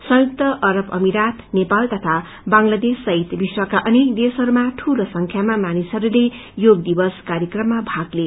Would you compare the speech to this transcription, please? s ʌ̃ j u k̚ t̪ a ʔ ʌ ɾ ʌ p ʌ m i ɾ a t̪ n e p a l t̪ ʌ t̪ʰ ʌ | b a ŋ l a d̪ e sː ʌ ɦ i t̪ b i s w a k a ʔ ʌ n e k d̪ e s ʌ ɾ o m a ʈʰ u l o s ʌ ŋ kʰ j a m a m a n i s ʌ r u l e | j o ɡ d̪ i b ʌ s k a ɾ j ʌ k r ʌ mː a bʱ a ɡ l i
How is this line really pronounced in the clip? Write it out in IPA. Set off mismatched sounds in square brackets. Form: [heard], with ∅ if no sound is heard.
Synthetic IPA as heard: s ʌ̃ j u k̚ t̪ [ʌ] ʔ ʌ ɾ ʌ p ʌ m i ɾ a t̪ n e p a l t̪ ʌ t̪ʰ [a] | b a ŋ l a d̪ e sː ʌ ɦ i t̪ b i s w a k a ʔ ʌ n e k d̪ e s ʌ ɾ [u] m a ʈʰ u l o s ʌ ŋ kʰ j a m a m a n i s ʌ [ɾ] u l e | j o ɡ d̪ i b ʌ s k a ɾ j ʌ k r ʌ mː a bʱ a ɡ l [e]